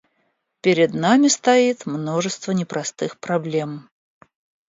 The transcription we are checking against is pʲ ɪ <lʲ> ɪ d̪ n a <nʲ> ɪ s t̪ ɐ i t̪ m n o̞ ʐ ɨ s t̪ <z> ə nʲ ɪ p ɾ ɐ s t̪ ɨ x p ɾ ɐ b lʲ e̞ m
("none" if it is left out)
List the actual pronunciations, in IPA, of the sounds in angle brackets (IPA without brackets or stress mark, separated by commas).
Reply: ɾʲ, mʲ, v